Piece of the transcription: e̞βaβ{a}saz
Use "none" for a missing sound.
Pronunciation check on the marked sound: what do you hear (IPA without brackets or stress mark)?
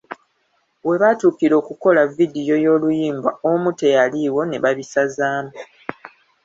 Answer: i